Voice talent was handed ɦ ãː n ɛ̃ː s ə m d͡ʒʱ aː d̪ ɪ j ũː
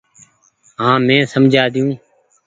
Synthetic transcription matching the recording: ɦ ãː m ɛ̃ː s ə m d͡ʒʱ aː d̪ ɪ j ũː